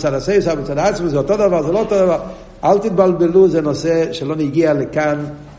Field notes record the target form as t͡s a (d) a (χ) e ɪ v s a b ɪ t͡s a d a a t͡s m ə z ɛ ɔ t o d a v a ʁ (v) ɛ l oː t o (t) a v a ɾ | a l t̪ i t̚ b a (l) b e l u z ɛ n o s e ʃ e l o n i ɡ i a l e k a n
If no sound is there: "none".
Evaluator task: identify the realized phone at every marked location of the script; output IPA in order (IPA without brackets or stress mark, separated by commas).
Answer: d, s, z, d, l